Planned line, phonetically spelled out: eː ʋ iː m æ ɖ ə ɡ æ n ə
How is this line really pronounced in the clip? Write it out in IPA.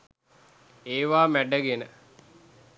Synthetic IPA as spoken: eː ʋ aː m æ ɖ ə ɡ e n ə